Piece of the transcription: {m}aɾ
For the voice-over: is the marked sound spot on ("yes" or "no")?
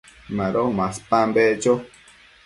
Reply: yes